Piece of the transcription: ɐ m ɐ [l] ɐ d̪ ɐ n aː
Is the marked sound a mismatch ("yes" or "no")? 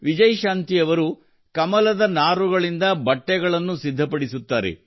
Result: no